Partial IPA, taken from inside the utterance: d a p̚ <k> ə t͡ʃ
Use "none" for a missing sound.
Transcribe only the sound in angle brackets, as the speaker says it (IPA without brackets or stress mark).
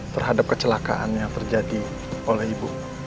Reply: k